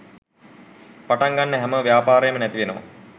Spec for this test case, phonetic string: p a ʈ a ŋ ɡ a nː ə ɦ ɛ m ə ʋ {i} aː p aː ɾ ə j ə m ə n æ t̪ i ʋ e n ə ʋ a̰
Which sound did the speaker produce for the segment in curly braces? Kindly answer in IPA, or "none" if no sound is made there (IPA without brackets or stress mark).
j